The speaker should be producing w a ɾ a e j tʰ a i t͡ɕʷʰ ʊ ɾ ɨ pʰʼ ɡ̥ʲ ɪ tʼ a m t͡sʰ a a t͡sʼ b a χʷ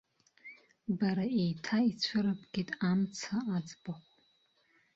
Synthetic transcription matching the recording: b a ɾ a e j tʰ a i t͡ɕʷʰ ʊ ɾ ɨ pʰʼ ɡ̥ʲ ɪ tʼ a m t͡sʰ a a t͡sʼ b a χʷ